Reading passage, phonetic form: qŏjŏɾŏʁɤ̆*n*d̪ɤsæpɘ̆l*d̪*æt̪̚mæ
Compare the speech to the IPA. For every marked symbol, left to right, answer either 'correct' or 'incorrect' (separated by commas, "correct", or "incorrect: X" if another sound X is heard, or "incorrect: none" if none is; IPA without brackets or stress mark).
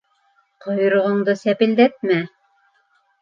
incorrect: ɴ, correct